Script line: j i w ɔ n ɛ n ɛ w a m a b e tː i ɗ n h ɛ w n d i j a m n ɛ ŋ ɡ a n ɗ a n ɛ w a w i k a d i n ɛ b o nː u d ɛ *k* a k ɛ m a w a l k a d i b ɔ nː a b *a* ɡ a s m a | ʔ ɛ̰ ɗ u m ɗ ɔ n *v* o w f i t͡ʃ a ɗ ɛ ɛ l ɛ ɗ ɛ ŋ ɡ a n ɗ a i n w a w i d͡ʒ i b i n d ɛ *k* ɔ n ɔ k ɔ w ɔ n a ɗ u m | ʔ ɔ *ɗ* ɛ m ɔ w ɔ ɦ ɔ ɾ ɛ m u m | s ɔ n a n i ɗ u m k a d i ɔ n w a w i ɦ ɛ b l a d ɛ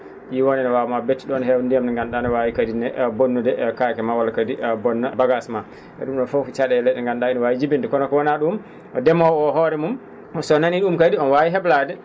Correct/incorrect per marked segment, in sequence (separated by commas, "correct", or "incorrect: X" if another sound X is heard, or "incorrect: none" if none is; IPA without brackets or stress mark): correct, correct, incorrect: f, correct, incorrect: d